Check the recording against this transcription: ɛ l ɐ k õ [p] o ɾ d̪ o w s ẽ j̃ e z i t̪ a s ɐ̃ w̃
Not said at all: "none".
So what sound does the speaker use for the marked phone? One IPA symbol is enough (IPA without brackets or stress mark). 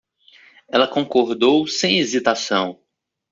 k